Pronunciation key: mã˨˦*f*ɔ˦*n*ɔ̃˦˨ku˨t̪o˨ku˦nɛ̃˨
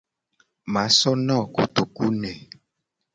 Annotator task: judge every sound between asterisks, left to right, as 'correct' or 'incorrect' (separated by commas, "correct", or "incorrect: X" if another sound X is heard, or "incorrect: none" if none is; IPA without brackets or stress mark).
incorrect: s, correct